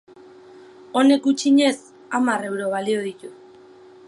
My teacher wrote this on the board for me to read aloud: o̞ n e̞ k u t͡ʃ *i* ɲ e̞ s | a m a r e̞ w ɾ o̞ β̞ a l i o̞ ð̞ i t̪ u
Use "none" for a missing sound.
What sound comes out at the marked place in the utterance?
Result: i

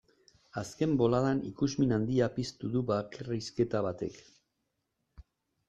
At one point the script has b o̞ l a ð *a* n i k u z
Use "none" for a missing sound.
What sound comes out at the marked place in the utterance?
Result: a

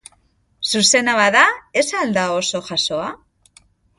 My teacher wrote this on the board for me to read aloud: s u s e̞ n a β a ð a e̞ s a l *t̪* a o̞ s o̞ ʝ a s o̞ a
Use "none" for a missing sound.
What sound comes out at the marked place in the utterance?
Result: d̪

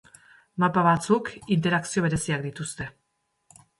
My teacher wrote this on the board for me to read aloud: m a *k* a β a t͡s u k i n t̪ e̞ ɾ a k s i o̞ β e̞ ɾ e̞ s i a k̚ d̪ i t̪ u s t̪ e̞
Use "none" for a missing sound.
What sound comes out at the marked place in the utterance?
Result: p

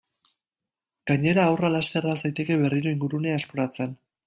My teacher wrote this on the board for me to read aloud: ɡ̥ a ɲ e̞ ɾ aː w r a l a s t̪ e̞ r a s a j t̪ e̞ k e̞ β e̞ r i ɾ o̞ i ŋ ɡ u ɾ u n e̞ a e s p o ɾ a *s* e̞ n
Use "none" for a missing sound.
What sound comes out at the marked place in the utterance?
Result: t͡s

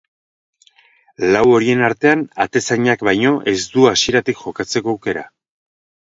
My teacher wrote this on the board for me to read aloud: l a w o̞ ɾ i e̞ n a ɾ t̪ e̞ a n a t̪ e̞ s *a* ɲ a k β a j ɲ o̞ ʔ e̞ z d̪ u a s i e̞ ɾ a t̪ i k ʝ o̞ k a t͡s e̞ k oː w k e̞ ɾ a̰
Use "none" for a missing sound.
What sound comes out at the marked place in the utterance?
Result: a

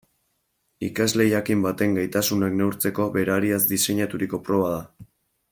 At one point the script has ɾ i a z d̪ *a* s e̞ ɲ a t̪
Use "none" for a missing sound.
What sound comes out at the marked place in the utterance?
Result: i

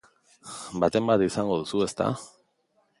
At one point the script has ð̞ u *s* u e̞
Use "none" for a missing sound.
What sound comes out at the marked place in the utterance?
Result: s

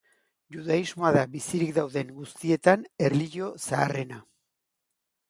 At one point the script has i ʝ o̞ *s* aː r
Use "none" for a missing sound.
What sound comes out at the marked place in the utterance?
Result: s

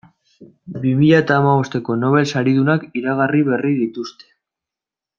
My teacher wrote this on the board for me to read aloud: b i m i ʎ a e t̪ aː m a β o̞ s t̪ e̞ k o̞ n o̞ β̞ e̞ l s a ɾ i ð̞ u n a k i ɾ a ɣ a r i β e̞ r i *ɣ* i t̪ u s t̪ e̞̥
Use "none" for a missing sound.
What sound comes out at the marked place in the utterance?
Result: ð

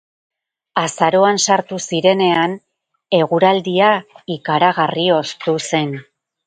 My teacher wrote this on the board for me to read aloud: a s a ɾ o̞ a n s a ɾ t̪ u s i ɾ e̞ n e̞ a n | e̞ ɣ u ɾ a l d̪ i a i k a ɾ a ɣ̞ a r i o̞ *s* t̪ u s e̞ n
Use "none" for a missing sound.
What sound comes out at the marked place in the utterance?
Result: s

